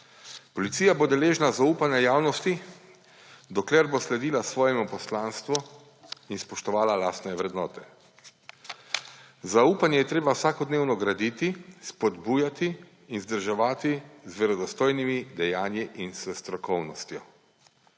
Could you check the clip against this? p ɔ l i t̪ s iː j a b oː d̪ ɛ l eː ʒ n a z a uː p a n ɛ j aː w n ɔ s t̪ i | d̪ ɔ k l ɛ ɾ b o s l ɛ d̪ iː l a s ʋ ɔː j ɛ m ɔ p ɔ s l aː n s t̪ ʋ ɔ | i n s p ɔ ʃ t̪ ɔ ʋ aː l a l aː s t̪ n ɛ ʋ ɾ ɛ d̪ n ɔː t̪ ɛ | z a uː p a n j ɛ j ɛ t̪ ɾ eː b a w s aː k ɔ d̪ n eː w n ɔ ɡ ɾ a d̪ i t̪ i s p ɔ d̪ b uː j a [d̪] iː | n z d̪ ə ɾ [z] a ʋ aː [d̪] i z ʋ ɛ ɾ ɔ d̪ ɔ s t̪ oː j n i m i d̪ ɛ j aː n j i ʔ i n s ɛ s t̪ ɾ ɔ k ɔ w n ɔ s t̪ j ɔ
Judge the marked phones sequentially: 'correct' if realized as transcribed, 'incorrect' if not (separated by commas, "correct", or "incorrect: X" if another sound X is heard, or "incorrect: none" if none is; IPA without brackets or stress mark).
incorrect: t̪, incorrect: ʒ, incorrect: t̪